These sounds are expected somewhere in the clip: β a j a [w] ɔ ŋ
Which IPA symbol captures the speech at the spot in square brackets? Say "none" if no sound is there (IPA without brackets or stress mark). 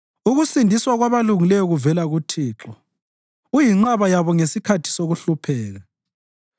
β